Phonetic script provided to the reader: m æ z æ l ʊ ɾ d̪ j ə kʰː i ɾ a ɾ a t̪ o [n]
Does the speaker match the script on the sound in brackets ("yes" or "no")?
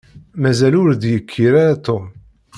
no